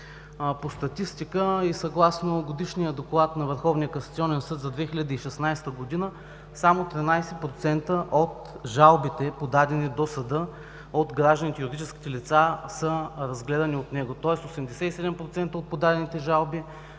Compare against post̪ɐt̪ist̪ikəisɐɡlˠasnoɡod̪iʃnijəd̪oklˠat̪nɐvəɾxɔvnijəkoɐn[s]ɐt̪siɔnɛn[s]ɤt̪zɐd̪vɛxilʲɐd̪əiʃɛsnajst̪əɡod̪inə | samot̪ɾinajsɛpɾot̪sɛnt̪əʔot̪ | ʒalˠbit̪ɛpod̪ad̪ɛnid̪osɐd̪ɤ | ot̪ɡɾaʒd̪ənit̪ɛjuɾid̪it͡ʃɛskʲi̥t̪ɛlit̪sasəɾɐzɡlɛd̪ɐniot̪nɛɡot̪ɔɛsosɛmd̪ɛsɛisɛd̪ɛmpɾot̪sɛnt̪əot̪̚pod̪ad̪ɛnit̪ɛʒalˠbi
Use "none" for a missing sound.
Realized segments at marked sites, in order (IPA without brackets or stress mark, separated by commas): s, s